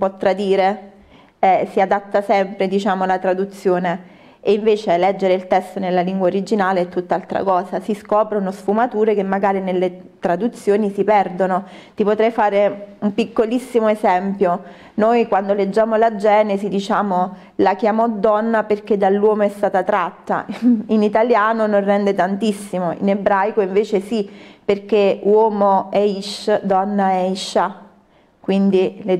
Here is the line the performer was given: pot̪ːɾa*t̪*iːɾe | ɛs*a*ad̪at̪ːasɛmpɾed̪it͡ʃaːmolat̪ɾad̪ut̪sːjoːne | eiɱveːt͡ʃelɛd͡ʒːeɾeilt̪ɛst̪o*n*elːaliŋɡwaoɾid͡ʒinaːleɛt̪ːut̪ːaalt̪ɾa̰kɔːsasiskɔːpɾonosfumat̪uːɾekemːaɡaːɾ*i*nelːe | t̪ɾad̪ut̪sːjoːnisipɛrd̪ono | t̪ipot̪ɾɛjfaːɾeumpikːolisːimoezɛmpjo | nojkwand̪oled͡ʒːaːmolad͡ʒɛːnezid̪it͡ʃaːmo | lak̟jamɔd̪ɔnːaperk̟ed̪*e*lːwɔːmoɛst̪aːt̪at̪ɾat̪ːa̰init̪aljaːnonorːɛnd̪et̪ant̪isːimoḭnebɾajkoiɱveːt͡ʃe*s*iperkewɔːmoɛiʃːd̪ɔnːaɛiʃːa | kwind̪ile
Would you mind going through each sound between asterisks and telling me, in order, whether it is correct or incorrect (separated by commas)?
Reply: incorrect, incorrect, correct, correct, incorrect, correct